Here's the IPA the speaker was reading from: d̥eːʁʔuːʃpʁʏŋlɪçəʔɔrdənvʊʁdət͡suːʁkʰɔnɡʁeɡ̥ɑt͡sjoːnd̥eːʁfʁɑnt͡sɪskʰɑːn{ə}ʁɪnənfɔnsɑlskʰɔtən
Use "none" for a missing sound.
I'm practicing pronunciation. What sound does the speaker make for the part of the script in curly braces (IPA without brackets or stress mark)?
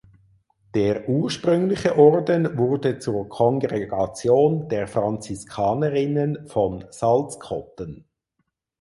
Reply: ə